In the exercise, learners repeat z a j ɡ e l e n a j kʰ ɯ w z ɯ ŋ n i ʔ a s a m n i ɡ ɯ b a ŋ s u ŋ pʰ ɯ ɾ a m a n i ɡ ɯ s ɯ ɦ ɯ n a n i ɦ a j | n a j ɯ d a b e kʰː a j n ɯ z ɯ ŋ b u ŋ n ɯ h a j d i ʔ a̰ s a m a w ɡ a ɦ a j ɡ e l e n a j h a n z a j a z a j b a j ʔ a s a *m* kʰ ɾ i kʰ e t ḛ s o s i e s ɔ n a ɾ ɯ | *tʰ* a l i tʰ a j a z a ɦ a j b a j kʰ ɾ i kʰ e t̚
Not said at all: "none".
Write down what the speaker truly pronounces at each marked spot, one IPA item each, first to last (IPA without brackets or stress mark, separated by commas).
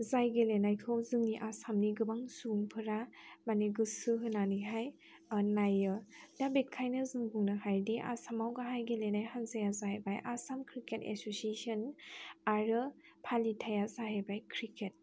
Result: m, pʰ